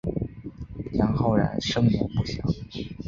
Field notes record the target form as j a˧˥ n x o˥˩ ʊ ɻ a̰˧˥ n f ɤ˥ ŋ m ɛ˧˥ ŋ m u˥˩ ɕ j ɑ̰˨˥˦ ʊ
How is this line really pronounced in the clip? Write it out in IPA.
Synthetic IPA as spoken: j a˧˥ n x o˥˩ ʊ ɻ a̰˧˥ n ʂ ɤ˥ ŋ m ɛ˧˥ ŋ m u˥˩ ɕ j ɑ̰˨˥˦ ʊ

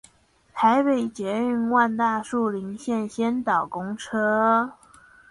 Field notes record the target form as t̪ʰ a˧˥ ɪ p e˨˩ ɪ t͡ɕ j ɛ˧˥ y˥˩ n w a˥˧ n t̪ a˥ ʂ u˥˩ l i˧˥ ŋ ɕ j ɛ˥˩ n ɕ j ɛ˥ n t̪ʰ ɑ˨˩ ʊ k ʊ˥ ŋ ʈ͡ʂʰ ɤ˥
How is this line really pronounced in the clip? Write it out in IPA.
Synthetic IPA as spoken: t̪ʰ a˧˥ ɪ p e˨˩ ɪ t͡ɕ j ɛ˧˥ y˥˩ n w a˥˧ n t̪ a˥˧ ʂ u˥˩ l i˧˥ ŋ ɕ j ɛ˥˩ n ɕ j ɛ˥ n t̪ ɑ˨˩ ʊ k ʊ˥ ŋ ʈ͡ʂʰ ɤ˥

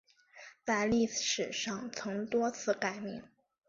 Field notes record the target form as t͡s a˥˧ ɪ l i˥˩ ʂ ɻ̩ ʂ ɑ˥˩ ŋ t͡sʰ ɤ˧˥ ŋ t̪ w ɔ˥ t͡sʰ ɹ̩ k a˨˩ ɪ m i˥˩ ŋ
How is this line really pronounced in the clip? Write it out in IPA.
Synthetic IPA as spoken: t͡s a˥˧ ɪ l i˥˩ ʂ ɻ̩ ʂ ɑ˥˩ ŋ t͡sʰ ɤ˧˥ ŋ t̪ w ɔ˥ t͡sʰ ɹ̩ k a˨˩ ɪ m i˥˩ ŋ

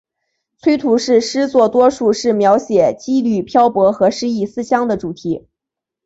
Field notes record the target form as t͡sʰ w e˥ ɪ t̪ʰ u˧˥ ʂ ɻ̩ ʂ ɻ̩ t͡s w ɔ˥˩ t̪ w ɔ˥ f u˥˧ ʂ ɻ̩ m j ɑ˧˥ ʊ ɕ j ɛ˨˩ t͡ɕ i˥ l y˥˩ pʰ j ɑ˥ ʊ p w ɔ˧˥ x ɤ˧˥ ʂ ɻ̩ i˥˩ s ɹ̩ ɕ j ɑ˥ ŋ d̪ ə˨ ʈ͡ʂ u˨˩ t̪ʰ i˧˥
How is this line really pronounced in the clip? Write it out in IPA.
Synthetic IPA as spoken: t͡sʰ w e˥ ɪ t̪ʰ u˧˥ ʂ ɻ̩ ʂ ɻ̩ t͡s w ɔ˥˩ t̪ w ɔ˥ ʂ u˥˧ ʂ ɻ̩ m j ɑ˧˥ ʊ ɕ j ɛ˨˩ t͡ɕ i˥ l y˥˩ pʰ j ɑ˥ ʊ p w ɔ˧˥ x ɤ˧˥ ʂ ɻ̩ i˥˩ s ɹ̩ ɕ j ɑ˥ ŋ d̪ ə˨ ʈ͡ʂ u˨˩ t̪ʰ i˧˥

